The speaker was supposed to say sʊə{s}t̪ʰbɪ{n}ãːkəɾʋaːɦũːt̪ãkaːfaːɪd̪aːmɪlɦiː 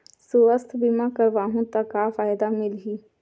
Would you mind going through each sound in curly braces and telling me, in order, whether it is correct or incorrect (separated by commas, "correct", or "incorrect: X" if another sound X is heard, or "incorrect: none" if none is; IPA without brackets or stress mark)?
correct, incorrect: m